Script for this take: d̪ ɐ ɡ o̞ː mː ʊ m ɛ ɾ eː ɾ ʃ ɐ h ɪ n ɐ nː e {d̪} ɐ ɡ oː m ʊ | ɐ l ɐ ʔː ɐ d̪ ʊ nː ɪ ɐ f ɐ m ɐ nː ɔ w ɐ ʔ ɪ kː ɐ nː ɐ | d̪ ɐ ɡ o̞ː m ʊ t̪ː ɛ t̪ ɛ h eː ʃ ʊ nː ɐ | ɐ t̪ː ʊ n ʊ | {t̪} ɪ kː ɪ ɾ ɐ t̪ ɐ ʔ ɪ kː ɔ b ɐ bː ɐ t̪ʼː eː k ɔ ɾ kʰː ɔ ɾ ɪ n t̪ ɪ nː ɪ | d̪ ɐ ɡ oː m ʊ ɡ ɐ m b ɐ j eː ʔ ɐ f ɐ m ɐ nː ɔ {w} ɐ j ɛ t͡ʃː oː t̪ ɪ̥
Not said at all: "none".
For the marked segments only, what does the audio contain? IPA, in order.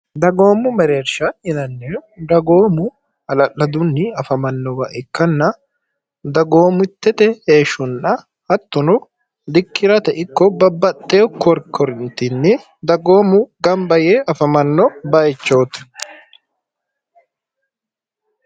d̪, d̪, b

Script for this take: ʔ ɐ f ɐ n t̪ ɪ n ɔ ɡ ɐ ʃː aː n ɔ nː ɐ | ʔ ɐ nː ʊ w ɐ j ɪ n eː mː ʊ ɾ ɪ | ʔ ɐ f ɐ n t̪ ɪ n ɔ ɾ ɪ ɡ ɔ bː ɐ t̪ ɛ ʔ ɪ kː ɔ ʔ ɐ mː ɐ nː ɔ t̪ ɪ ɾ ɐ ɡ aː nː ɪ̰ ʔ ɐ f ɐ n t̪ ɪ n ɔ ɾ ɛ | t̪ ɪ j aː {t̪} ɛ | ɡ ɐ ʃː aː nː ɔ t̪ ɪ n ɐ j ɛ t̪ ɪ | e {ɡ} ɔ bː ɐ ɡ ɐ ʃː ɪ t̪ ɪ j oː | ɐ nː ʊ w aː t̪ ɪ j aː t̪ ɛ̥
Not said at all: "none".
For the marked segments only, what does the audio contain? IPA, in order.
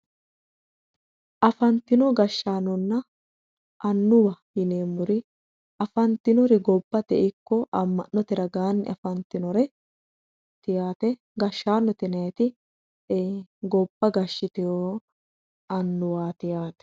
t̪, ɡ

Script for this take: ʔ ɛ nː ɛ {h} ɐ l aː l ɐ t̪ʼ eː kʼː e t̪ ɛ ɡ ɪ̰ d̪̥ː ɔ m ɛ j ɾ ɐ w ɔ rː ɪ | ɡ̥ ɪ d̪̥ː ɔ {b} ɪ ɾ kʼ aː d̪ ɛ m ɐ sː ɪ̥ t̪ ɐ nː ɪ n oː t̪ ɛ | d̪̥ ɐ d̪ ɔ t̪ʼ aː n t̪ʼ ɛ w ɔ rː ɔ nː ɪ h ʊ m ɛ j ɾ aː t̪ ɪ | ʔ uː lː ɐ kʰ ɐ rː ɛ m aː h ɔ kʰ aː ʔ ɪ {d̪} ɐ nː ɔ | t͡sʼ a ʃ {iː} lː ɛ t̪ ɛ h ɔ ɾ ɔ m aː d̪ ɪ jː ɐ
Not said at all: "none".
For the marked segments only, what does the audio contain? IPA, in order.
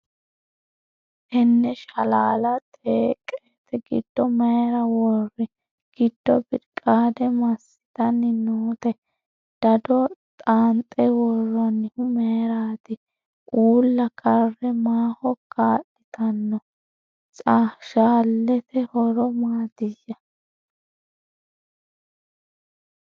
ʃ, b, t̪, aː

